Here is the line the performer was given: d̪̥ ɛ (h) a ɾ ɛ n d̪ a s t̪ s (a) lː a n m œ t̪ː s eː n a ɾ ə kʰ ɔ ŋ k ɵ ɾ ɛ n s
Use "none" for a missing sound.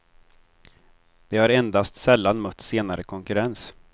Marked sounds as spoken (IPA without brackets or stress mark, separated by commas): h, ɛ